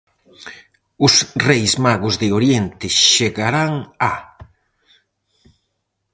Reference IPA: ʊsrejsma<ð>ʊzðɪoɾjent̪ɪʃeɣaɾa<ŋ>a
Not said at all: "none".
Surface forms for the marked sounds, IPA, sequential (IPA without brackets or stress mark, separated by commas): ɣ, ŋ